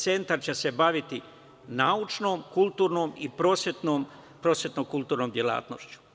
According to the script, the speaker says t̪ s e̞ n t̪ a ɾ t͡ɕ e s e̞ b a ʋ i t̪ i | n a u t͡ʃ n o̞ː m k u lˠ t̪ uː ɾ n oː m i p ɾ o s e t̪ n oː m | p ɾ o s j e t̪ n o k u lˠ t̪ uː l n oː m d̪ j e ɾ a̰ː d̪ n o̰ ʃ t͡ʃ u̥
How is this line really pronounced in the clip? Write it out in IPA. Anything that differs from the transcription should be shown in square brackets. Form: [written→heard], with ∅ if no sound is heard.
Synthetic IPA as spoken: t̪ s e̞ n t̪ a ɾ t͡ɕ e s e̞ b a ʋ i t̪ i | n a u t͡ʃ n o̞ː m k u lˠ t̪ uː ɾ n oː m i p ɾ o s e t̪ n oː m | p ɾ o s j e t̪ n o k u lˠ t̪ uː [l→ɾ] n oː m d̪ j e [ɾ→l] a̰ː [d̪→t̪] n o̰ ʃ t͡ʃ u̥